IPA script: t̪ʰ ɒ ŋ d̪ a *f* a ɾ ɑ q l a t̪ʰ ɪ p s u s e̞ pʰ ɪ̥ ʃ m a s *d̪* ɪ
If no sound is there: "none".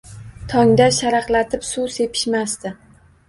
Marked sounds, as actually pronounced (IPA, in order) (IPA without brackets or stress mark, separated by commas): ʃ, t̪